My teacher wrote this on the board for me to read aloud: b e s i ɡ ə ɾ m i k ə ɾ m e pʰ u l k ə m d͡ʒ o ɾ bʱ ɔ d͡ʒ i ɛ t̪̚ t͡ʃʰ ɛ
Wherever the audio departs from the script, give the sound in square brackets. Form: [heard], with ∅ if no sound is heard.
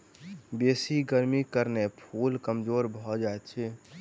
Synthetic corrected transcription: b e s i ɡ ə ɾ m i k ə ɾ [n] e pʰ u l k ə m d͡ʒ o ɾ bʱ ɔ d͡ʒ [a] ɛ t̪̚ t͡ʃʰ ɛ